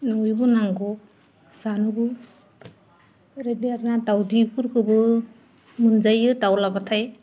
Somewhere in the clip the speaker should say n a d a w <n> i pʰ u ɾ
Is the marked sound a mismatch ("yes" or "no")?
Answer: yes